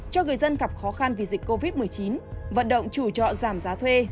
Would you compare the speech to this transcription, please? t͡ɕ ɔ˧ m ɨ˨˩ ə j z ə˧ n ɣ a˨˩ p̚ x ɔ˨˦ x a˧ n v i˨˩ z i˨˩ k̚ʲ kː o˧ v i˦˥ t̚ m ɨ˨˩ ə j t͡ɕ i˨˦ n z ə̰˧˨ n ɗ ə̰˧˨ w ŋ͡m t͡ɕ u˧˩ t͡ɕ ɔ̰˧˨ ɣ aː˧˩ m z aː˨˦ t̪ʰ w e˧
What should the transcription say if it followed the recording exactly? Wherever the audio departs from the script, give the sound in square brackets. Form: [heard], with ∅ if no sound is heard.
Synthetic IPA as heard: t͡ɕ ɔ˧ [ŋ] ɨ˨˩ ə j z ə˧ n ɣ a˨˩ p̚ x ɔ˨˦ x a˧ n v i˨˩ z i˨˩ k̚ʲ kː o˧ v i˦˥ t̚ m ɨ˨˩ ə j t͡ɕ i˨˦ n [v] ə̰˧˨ n ɗ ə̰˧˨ w ŋ͡m t͡ɕ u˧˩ t͡ɕ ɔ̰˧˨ [z] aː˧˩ m z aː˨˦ t̪ʰ w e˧